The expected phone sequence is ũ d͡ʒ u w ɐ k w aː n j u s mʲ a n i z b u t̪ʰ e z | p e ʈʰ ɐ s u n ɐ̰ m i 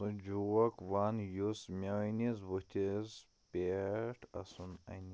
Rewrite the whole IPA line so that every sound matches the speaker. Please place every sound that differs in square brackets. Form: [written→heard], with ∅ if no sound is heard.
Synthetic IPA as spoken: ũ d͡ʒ u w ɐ k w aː n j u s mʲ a n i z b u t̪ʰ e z | p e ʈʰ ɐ s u n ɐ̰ [m→n] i